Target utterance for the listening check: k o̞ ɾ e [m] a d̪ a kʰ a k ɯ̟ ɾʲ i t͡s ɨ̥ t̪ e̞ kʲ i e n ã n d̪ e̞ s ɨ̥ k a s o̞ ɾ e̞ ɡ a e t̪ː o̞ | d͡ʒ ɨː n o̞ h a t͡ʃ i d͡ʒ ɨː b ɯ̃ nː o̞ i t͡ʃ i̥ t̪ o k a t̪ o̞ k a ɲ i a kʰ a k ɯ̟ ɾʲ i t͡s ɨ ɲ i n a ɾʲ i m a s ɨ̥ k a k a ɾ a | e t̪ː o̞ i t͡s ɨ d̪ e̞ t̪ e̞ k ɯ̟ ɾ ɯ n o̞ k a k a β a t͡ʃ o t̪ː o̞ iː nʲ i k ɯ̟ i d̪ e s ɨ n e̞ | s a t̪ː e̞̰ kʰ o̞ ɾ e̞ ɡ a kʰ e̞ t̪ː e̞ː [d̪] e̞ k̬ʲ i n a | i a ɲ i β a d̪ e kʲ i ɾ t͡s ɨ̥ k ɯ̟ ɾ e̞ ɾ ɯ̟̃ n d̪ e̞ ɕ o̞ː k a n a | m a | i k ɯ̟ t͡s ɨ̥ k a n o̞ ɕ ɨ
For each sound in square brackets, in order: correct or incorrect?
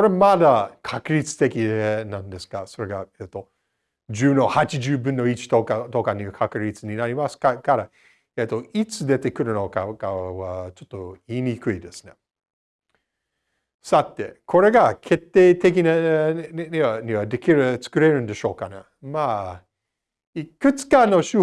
correct, incorrect: t̪

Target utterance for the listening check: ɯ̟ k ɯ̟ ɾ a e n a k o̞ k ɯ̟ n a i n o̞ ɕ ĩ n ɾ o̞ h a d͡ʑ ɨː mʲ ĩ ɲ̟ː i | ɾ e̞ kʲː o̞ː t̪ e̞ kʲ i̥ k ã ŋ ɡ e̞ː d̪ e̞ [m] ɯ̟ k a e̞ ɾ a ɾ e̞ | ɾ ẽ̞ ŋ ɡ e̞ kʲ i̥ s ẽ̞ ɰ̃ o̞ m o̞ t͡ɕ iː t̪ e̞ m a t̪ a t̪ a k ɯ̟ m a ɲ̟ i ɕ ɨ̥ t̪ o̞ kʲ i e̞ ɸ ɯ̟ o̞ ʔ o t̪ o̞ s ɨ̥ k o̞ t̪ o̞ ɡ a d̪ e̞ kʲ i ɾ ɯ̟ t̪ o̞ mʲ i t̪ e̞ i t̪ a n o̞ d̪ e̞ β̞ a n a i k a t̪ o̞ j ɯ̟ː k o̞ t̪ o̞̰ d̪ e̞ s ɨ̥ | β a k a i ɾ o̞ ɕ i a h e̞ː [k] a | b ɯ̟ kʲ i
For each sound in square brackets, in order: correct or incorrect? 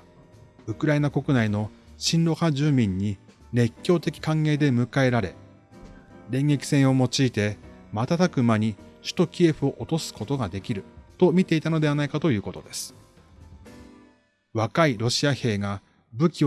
correct, incorrect: ɡ

